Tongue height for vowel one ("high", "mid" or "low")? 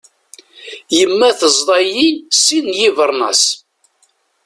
mid